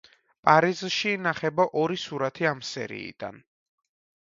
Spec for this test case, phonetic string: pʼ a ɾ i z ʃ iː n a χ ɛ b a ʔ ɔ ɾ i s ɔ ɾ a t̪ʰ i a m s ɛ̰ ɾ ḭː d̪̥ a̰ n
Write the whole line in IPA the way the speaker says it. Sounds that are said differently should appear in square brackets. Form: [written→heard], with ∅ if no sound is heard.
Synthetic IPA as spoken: pʼ a ɾ i z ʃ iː n a χ ɛ b a ʔ ɔ ɾ i s [ɔ→u] ɾ a t̪ʰ i a m s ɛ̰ ɾ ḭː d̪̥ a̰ n

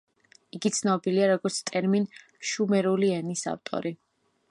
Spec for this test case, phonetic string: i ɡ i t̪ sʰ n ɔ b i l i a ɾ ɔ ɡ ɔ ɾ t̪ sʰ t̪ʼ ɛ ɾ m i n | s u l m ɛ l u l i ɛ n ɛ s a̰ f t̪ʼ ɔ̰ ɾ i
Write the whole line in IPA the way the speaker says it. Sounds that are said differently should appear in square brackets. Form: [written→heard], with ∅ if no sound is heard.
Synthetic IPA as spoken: i ɡ i t̪ sʰ n ɔ b i l i a ɾ ɔ ɡ ɔ ɾ t̪ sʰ t̪ʼ ɛ ɾ m i n | [s→ʃ] u [l→∅] m ɛ [l→ɾ] u l i ɛ n [ɛ→i] s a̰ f t̪ʼ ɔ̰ ɾ i

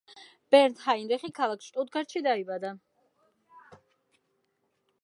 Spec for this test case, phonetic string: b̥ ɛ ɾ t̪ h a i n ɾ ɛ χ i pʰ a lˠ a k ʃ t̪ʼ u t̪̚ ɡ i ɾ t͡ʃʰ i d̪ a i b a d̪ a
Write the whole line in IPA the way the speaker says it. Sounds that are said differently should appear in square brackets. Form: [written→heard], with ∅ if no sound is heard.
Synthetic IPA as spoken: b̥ ɛ ɾ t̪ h a i n ɾ ɛ χ i [pʰ→kʰ] a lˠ a k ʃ t̪ʼ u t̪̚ ɡ [i→a] ɾ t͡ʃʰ i d̪ a i b a d̪ a

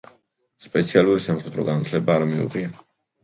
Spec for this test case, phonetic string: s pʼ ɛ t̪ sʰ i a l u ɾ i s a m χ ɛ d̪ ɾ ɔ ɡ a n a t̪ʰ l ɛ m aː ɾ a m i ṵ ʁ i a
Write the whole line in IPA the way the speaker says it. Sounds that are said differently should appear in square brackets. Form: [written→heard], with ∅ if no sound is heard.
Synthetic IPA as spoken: s pʼ ɛ t̪ sʰ i a l u ɾ i s a m χ ɛ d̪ ɾ ɔ ɡ a n a t̪ʰ l ɛ [m→b] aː ɾ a m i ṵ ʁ i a

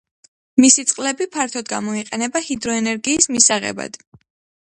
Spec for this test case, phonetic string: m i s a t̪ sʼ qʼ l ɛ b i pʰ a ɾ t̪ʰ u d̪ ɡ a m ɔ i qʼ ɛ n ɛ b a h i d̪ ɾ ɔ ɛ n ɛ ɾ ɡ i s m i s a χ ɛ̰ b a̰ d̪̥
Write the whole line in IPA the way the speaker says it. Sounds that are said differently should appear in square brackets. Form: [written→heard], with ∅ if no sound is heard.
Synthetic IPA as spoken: m i s [a→i] t̪ sʼ qʼ l ɛ b i pʰ a ɾ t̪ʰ [u→ɔ] d̪ ɡ a m ɔ i qʼ ɛ n ɛ b a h i d̪ ɾ ɔ ɛ n ɛ ɾ ɡ [i→iː] s m i s a [χ→ʁ] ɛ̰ b a̰ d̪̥

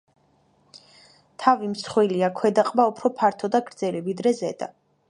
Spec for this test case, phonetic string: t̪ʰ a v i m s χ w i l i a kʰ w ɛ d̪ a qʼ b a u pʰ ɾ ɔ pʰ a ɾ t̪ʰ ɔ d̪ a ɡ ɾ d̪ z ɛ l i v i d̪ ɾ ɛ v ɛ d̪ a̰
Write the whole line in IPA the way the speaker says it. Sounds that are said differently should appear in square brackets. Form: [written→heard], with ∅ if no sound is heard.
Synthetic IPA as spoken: t̪ʰ a v i m s χ w i l i a kʰ w ɛ d̪ a qʼ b a u pʰ ɾ ɔ pʰ a ɾ t̪ʰ ɔ d̪ a ɡ ɾ d̪ z ɛ l i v i d̪ ɾ ɛ [v→z] ɛ d̪ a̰

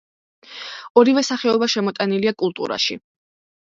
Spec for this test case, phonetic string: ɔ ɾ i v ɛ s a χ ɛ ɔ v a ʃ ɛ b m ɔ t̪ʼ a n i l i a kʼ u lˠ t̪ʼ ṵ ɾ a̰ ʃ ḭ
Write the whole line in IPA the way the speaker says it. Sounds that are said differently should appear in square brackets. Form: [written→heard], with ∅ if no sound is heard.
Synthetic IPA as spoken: ɔ ɾ i v ɛ s a χ ɛ ɔ [v→b] a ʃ ɛ [b→∅] m ɔ t̪ʼ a n i l i a kʼ u lˠ t̪ʼ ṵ ɾ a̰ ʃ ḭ

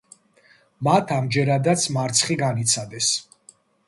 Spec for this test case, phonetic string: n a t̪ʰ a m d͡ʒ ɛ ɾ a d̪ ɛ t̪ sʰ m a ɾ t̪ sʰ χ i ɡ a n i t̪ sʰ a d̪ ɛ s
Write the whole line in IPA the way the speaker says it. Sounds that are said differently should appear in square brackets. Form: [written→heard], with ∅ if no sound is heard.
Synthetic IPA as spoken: [n→m] a t̪ʰ a m d͡ʒ ɛ ɾ a d̪ [ɛ→a] t̪ sʰ m a ɾ t̪ sʰ χ i ɡ a n i t̪ sʰ a d̪ ɛ s

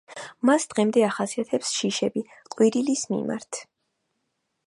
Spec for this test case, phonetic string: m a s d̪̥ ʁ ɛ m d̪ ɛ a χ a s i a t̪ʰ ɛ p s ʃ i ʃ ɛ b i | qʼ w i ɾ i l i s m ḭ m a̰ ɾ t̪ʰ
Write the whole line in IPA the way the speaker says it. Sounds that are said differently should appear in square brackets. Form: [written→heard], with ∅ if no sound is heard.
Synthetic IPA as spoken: m a s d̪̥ ʁ ɛ m d̪ ɛ a χ a s i a t̪ʰ ɛ p s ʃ i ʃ ɛ b i | qʼ w i ɾ i l i s m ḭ m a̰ ɾ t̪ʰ

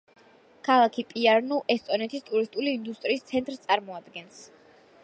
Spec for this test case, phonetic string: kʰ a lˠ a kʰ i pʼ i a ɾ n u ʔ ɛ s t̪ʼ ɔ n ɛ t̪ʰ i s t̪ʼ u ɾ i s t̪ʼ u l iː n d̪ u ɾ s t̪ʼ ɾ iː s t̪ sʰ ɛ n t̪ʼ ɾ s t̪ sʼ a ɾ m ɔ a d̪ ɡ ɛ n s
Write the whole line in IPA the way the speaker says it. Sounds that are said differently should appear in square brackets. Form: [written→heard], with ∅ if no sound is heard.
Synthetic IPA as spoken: kʰ a lˠ a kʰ i pʼ i a ɾ n u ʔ ɛ s t̪ʼ ɔ n ɛ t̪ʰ i s t̪ʼ u ɾ i s t̪ʼ u l iː n d̪ u [ɾ→∅] s t̪ʼ ɾ iː s t̪ sʰ ɛ n t̪ʼ ɾ s t̪ sʼ a ɾ m ɔ a d̪ ɡ ɛ n s

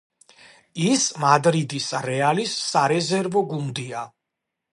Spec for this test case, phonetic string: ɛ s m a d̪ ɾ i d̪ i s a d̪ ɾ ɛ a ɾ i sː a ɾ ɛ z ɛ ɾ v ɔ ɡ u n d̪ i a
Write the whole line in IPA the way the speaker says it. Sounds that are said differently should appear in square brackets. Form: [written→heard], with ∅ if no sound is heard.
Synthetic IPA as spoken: [ɛ→i] s m a d̪ ɾ i d̪ i s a [d̪→∅] ɾ ɛ a [ɾ→l] i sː a ɾ ɛ z ɛ ɾ v ɔ ɡ u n d̪ i a

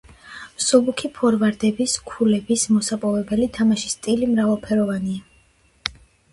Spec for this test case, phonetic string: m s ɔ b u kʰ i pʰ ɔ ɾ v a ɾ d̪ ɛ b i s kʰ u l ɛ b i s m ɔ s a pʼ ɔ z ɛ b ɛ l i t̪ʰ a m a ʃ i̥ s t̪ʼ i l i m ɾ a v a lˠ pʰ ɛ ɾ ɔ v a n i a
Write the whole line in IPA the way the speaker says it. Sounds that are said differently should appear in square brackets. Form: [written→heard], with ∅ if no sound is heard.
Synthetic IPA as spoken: m s ɔ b u kʰ i pʰ ɔ ɾ v a ɾ d̪ ɛ b i s kʰ u l ɛ b i s m ɔ s a pʼ ɔ [z→v] ɛ b ɛ l i t̪ʰ a m a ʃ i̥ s t̪ʼ i l i m ɾ a v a lˠ pʰ ɛ ɾ ɔ v a n i a

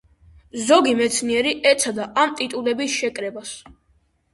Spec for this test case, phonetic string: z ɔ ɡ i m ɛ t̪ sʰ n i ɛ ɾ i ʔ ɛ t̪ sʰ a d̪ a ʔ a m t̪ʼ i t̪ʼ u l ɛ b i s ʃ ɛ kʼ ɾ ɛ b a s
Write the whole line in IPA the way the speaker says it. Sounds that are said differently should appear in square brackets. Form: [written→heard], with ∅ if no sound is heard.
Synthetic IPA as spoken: z ɔ ɡ i m ɛ t̪ sʰ n i ɛ ɾ i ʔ ɛ t̪ sʰ a d̪ a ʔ a m t̪ʼ i t̪ʼ u l ɛ b i s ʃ ɛ kʼ ɾ ɛ b a s

